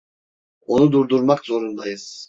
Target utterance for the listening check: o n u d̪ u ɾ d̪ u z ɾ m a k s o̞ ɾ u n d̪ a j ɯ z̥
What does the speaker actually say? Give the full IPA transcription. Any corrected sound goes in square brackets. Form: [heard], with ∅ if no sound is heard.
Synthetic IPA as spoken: o n u d̪ u ɾ d̪ u [∅] ɾ m a k [z] o̞ ɾ u n d̪ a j ɯ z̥